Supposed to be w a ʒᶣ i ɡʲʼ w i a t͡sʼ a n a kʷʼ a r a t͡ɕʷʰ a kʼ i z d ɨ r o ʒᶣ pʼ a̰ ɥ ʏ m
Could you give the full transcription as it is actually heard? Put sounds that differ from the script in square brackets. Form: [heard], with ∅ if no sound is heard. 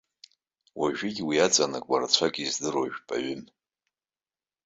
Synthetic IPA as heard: w a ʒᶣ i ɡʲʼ w i a t͡sʼ a n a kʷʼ a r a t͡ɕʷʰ a kʼ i z d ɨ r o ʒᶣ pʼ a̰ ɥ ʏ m